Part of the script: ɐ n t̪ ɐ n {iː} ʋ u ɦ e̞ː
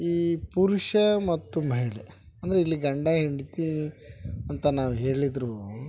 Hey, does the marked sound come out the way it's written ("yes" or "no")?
no